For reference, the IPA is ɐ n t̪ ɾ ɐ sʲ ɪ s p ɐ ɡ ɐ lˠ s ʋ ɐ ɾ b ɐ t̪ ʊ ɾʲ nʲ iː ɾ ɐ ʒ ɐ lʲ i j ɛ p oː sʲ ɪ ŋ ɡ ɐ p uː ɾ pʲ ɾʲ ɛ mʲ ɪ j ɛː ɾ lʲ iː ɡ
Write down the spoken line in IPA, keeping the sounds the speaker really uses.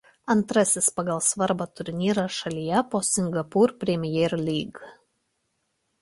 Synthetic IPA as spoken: ɐ n t̪ ɾ ɐ sʲ ɪ s p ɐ ɡ ɐ lˠ s ʋ ɐ ɾ b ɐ t̪ ʊ ɾʲ nʲ iː ɾ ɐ ʃ ɐ lʲ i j ɛ p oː sʲ ɪ ŋ ɡ ɐ p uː ɾ pʲ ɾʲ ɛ mʲ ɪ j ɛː ɾ lʲ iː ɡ